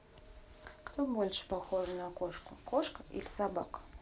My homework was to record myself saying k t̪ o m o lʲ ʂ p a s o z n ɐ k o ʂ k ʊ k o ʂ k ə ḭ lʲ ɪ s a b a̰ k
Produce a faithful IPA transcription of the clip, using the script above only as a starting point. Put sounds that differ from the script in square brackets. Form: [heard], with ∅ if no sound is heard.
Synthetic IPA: k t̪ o [b] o lʲ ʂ p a [x] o [ʐ] n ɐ k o ʂ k ʊ k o ʂ k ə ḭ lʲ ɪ s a b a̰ k